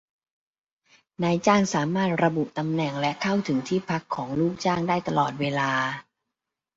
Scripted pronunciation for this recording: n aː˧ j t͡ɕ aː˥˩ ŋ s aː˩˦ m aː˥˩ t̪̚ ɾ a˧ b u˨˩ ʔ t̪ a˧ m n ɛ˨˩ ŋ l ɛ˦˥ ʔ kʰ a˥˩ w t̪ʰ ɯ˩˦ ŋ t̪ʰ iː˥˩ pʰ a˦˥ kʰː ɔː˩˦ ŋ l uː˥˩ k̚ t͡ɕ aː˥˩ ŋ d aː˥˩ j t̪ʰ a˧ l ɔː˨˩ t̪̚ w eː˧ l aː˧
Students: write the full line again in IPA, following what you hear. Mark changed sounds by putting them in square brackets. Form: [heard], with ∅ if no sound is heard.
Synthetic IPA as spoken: n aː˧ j t͡ɕ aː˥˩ ŋ s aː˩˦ m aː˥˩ t̪̚ ɾ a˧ b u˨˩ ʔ t̪ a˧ m n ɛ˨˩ ŋ l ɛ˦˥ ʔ kʰ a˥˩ w t̪ʰ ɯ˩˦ ŋ t̪ʰ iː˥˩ pʰ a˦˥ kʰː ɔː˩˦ ŋ l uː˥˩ k̚ t͡ɕ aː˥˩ ŋ d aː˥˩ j [t̪] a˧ l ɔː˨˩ t̪̚ w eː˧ l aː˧